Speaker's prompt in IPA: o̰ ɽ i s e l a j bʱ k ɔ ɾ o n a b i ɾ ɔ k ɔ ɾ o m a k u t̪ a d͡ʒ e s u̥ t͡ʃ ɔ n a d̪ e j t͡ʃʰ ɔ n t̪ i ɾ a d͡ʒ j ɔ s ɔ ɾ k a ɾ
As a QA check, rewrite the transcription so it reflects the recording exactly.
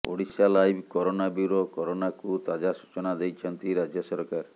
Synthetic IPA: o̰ ɽ i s a l a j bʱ k ɔ ɾ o n a b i ɾ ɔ k ɔ ɾ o n a k u t̪ a d͡ʒ a s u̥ t͡ʃ ɔ n a d̪ e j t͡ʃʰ ɔ n t̪ i ɾ a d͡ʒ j ɔ s ɔ ɾ k a ɾ